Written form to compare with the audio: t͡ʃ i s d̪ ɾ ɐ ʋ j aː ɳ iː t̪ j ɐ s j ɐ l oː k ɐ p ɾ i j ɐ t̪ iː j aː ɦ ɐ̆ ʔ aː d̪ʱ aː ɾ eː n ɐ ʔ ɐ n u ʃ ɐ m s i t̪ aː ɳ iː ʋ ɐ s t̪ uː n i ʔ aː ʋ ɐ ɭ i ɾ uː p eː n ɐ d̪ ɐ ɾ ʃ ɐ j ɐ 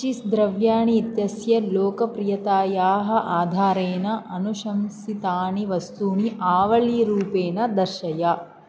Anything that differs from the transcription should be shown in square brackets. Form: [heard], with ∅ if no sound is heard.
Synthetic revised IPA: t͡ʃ i s d̪ ɾ ɐ ʋ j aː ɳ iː t̪ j ɐ s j ɐ l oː k ɐ p ɾ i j ɐ t̪ [aː] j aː ɦ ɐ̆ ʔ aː d̪ʱ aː ɾ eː n ɐ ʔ ɐ n u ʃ ɐ m s i t̪ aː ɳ [i] ʋ ɐ s t̪ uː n i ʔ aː ʋ ɐ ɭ i ɾ uː p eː n ɐ d̪ ɐ ɾ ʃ ɐ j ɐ